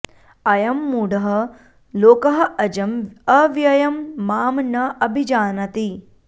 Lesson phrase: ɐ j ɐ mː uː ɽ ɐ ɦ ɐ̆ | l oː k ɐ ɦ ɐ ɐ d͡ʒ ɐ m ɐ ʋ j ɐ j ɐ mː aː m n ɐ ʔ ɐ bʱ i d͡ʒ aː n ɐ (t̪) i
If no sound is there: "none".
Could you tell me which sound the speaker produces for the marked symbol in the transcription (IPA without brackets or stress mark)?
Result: t̪